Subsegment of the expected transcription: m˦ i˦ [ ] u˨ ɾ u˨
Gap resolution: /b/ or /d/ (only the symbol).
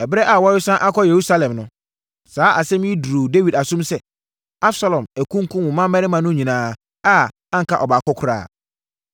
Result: d